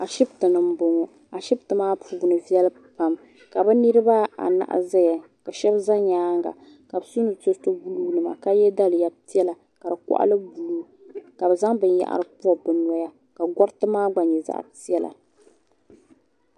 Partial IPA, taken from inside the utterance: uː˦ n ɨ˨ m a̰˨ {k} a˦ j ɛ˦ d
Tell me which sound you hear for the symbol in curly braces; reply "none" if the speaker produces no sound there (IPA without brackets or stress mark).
k